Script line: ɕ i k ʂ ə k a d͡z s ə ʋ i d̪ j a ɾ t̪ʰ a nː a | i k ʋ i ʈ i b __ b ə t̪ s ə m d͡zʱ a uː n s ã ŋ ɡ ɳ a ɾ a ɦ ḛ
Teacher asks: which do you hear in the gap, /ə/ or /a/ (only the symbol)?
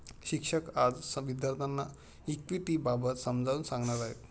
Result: a